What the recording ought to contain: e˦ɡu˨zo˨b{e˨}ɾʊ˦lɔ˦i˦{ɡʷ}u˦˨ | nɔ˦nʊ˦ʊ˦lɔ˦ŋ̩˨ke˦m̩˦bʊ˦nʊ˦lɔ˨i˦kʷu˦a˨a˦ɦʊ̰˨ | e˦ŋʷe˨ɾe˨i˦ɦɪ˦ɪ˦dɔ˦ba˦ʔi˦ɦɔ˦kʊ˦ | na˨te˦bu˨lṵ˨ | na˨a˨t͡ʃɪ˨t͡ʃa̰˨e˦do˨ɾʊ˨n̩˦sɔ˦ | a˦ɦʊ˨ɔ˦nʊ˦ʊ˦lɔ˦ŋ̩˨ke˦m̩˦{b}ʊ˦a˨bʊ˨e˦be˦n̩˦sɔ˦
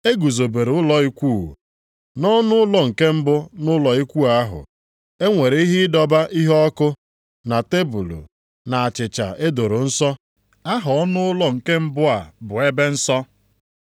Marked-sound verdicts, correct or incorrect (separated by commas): correct, incorrect, correct